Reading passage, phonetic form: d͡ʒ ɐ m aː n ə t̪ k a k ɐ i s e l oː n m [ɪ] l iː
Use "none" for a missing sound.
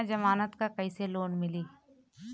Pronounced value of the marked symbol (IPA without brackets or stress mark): ɪ